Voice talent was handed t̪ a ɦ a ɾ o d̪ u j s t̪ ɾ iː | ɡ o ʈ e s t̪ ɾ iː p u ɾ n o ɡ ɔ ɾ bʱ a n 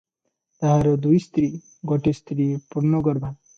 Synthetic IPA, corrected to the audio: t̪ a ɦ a ɾ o d̪ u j s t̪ ɾ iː | ɡ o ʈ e s t̪ ɾ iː p u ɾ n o ɡ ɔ ɾ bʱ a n